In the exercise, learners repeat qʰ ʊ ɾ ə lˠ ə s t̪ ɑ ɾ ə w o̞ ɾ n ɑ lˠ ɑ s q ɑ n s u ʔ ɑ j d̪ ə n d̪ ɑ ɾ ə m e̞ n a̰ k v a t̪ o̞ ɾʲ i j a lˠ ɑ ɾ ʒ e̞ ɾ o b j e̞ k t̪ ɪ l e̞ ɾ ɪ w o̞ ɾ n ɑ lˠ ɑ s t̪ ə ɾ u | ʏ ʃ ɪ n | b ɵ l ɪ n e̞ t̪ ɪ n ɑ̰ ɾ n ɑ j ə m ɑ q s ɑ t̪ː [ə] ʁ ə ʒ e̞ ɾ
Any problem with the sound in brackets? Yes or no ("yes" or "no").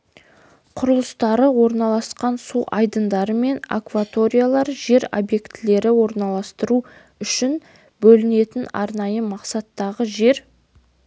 yes